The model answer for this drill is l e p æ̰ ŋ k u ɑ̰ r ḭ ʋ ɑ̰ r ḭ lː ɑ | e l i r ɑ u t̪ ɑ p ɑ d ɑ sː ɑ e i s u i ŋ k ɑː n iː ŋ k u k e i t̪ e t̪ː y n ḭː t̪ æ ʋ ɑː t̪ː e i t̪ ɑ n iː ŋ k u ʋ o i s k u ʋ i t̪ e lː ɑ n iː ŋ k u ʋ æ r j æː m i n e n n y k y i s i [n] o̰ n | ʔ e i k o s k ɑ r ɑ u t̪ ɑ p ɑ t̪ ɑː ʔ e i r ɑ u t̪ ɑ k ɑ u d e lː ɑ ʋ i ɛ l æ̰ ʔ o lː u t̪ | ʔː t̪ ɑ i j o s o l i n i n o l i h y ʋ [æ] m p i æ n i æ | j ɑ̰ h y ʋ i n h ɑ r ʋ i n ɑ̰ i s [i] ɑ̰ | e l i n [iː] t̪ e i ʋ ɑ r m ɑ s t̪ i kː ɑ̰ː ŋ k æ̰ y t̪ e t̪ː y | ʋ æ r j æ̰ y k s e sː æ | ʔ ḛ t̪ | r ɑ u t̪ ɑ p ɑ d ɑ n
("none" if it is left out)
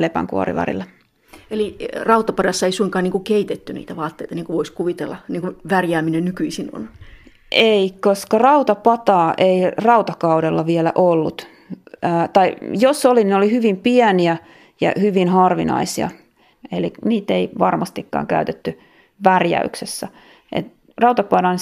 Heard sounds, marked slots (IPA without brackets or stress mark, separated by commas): n, i, i, iː